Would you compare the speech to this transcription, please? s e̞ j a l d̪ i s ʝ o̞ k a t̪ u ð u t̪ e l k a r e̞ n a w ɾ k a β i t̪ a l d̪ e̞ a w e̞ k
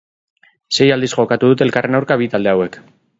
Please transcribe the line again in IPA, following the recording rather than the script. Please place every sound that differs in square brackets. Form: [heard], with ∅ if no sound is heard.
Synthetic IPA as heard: s e̞ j a l d̪ i s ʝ o̞ k a t̪ u ð u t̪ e l k a r e̞ n a w ɾ k a β i t̪ a l d̪ e̞ a w e̞ k